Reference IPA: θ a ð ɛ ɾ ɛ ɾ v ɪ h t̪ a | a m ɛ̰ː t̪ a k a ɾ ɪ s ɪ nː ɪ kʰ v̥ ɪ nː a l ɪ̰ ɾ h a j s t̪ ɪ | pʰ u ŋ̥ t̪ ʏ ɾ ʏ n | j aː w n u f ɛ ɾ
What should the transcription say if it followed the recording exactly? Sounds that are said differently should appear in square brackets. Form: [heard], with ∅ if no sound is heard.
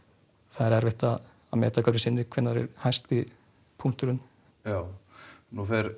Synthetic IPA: θ a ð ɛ ɾ ɛ ɾ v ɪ h t̪ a | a m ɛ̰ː t̪ a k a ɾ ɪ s ɪ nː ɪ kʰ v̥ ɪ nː a [ɾ] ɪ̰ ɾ h a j s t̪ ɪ | pʰ u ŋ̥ t̪ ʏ ɾ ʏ n | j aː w n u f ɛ ɾ